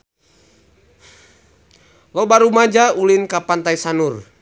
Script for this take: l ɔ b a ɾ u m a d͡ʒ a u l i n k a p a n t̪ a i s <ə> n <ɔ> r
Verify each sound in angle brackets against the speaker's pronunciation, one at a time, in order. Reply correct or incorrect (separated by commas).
incorrect, incorrect